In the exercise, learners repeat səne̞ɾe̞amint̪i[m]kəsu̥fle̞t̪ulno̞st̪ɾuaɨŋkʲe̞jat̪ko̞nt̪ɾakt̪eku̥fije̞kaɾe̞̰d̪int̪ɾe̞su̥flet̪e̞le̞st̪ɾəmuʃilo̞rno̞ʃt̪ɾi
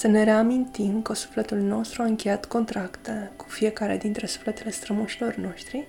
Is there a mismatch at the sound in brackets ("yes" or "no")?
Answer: no